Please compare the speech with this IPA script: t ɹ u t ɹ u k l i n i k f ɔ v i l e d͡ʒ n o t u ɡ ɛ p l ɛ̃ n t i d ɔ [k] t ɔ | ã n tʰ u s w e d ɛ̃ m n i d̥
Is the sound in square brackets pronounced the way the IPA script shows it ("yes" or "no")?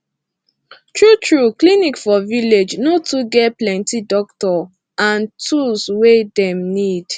yes